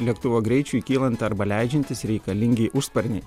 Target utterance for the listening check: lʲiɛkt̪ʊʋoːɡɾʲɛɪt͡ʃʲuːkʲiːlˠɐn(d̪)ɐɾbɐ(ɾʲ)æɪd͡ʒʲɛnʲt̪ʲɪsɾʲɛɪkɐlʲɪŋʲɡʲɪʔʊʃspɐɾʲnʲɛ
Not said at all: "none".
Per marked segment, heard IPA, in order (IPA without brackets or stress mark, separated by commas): t̪, lʲ